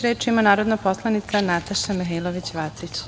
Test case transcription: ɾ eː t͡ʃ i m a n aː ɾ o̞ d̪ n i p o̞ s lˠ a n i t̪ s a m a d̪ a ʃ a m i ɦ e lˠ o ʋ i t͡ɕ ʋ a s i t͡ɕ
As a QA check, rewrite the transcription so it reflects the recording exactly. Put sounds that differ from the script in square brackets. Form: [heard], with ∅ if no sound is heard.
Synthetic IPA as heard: ɾ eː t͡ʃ i m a n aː ɾ o̞ d̪ n [a] p o̞ s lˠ a n i t̪ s a [n] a [t̪] a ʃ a m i ɦ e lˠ o ʋ i t͡ɕ ʋ a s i t͡ɕ